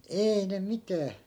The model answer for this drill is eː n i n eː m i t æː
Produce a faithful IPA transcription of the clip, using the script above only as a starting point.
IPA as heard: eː i n e m i t æː